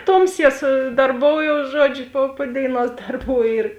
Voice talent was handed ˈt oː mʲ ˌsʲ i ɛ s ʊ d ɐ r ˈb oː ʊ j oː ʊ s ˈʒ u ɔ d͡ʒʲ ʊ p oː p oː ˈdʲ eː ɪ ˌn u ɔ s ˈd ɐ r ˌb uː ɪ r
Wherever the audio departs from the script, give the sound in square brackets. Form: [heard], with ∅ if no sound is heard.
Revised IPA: ˈt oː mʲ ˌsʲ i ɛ s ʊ d ɐ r ˈb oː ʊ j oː ʊ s ˈʒ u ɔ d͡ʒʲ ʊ p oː p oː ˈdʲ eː ɪ ˌn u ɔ s ˈd ɐ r ˌb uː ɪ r